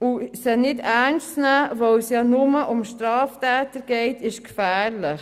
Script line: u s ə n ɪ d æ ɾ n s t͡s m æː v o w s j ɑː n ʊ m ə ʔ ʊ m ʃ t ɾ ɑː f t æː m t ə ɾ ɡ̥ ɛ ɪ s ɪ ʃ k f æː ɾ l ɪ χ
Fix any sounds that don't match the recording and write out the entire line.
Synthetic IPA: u s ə n ɪ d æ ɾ n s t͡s n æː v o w s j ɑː n ʊ m ə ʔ ʊ m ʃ t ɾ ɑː f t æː t ə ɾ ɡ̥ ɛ ɪ t ɪ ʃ k f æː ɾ l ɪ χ